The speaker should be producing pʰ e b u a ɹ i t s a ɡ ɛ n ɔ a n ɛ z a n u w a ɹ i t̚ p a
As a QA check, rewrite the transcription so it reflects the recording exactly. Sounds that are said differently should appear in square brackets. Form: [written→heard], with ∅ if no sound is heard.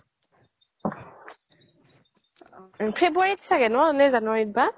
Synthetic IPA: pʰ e b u a ɹ i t s a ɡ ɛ n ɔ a n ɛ z a n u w a ɹ i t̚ [p→b] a